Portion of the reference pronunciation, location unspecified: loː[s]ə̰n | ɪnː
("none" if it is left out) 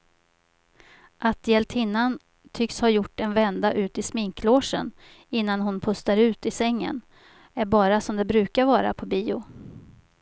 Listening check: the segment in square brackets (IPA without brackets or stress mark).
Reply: ʂ